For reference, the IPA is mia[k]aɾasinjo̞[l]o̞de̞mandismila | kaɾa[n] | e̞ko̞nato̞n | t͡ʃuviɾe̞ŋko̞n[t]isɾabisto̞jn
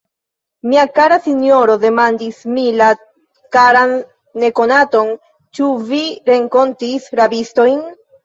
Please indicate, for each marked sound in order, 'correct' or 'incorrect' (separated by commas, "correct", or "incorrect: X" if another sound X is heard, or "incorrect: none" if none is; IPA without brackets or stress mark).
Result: correct, incorrect: ɾ, incorrect: nː, correct